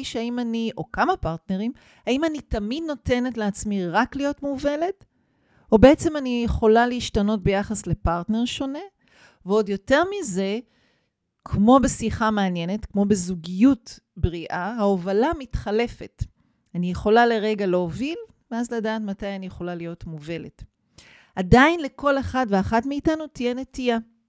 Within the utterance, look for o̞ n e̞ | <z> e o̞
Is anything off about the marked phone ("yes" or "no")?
yes